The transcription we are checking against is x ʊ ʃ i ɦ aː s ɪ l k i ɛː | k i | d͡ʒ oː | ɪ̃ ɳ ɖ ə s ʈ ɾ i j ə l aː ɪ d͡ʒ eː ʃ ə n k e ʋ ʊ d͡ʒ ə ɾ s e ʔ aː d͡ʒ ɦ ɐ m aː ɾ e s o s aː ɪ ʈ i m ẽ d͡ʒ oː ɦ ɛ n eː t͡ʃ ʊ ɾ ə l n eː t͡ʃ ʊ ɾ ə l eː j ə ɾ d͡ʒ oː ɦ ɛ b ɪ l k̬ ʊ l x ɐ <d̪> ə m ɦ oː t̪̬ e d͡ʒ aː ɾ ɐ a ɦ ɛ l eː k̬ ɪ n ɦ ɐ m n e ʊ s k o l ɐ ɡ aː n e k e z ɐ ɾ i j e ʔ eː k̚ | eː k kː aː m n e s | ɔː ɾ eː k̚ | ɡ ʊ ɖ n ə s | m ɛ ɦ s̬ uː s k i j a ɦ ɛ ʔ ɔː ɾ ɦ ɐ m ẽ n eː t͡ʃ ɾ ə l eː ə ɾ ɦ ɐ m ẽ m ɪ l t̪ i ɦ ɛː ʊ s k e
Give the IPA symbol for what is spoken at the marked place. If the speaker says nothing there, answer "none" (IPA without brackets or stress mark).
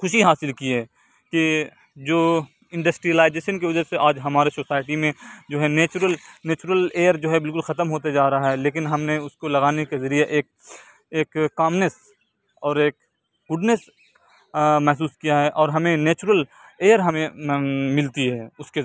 t̪